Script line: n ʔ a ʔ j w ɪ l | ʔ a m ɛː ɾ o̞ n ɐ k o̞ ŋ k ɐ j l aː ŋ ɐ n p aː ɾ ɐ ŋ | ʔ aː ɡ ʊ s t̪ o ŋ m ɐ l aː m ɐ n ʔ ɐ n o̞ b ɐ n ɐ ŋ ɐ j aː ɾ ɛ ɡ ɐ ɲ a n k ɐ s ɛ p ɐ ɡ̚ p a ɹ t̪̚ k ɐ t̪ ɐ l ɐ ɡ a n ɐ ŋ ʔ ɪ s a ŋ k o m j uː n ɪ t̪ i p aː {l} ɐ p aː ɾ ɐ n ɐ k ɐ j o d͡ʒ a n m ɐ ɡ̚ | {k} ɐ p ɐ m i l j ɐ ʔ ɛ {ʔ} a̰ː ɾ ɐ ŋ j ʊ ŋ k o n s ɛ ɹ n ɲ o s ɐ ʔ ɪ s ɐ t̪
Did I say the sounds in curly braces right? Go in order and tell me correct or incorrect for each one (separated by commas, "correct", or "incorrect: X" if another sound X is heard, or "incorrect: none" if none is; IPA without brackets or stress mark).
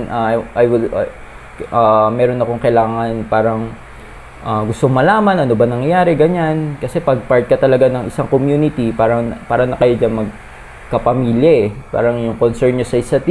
incorrect: ɾ, correct, incorrect: p